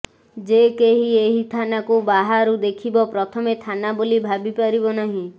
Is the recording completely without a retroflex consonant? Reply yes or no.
yes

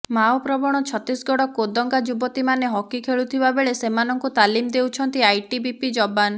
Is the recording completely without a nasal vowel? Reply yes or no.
yes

